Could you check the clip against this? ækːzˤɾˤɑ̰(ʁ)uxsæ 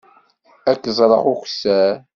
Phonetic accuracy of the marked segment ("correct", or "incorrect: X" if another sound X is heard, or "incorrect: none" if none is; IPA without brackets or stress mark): correct